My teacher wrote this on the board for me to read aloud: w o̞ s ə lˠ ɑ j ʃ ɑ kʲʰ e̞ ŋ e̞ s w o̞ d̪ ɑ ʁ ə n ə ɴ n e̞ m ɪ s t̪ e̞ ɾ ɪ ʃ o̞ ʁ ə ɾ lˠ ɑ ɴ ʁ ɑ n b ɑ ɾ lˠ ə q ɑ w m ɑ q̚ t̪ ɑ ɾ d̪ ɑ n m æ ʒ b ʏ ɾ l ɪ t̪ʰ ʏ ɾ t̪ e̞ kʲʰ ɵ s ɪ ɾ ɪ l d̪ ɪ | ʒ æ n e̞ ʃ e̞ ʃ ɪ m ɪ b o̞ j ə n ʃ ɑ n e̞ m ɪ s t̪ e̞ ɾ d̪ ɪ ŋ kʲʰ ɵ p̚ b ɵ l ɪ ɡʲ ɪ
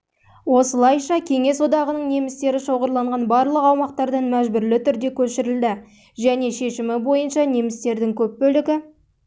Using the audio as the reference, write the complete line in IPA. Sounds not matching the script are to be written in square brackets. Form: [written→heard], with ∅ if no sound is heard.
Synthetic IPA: w o̞ s ə lˠ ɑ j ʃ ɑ kʲʰ e̞ ŋ e̞ s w o̞ d̪ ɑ ʁ ə n ə ɴ n e̞ m ɪ s t̪ e̞ ɾ ɪ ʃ o̞ ʁ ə ɾ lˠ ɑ ɴ ʁ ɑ n b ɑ ɾ lˠ ə q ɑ w m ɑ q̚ t̪ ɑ ɾ d̪ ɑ n m æ ʒ b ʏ ɾ l ɪ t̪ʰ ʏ ɾ [t̪→d̪] e̞ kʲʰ ɵ [s→ʃ] ɪ ɾ ɪ l d̪ ɪ | ʒ æ n e̞ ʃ e̞ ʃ ɪ m ɪ b o̞ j ə n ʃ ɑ n e̞ m ɪ s t̪ e̞ ɾ d̪ ɪ ŋ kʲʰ ɵ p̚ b ɵ l ɪ ɡʲ ɪ